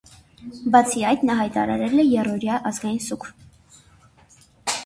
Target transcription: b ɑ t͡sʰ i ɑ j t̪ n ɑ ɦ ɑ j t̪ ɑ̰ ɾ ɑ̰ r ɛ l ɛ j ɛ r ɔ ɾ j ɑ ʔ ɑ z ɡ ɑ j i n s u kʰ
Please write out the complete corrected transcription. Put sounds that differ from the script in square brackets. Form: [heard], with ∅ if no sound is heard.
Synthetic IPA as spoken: b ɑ t͡sʰ i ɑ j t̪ n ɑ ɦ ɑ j t̪ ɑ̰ ɾ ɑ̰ [ɾ] ɛ l ɛ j ɛ r ɔ ɾ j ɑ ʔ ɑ z ɡ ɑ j i n s u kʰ